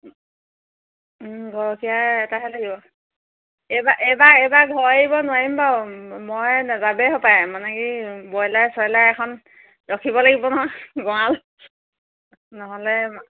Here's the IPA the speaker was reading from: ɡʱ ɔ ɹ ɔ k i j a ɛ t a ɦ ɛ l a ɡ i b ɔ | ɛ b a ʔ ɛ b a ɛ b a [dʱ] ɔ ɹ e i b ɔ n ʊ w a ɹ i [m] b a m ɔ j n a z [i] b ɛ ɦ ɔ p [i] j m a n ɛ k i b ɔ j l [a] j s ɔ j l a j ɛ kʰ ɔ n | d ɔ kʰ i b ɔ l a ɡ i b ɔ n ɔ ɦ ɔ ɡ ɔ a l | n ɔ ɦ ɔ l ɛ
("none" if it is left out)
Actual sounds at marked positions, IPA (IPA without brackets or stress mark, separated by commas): ɡʱ, m, a, a, a